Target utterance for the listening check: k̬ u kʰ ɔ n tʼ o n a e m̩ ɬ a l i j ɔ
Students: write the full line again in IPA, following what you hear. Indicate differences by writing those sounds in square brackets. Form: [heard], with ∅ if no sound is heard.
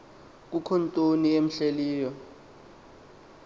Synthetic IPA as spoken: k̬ u kʰ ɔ n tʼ o n [i] e m̩ ɬ [e] l [iː] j ɔ